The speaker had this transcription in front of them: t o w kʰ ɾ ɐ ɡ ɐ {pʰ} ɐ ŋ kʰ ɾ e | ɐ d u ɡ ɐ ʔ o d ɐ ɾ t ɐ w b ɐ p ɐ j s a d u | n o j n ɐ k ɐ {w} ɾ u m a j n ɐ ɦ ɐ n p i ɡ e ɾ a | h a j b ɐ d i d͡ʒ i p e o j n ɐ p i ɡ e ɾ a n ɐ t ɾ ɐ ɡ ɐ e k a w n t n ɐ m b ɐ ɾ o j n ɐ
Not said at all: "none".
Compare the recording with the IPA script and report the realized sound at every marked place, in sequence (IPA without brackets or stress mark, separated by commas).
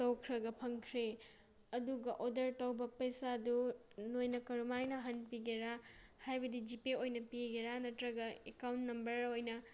pʰ, none